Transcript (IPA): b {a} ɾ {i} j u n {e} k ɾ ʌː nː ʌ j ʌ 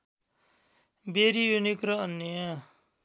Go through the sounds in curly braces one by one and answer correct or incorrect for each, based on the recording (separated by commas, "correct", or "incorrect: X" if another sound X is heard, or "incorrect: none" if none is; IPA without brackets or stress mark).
incorrect: e, correct, incorrect: i